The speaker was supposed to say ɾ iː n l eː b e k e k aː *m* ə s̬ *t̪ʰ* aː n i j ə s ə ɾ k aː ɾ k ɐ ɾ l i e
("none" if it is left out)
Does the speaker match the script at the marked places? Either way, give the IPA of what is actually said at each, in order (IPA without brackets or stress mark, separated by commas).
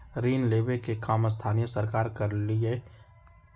m, t̪ʰ